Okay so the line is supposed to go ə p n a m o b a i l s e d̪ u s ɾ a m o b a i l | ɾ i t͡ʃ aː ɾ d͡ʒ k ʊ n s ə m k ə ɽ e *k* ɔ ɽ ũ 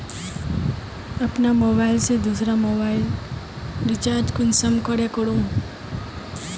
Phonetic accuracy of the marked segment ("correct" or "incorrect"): correct